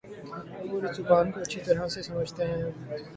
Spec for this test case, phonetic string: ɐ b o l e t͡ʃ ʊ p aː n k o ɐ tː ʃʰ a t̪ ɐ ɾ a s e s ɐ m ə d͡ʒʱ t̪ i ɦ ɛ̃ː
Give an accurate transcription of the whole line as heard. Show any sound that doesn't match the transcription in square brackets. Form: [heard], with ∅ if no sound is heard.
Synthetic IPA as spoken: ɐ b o [ɾ] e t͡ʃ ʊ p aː n k o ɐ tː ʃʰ [i] t̪ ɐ ɾ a s e s ɐ m ə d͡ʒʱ t̪ [e] ɦ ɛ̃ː